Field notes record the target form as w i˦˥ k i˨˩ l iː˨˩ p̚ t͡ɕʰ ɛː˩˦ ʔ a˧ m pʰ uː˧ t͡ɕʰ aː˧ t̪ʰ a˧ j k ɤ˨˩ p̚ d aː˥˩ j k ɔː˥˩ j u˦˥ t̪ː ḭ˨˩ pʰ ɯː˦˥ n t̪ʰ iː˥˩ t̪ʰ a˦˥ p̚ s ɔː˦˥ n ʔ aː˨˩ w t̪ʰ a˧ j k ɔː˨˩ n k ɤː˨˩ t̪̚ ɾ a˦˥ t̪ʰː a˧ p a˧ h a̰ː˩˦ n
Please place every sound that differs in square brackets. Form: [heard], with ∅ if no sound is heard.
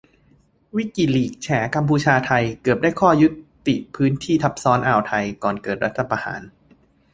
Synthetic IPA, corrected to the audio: w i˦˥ k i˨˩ l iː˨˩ [k̚] t͡ɕʰ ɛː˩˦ [k] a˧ m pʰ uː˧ t͡ɕʰ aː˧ t̪ʰ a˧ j k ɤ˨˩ p̚ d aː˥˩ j [kʰ] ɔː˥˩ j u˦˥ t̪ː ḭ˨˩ pʰ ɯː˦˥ n t̪ʰ iː˥˩ t̪ʰ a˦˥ p̚ s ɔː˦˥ n ʔ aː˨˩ w t̪ʰ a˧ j k ɔː˨˩ n k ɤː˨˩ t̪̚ ɾ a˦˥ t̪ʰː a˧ p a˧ h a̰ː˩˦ n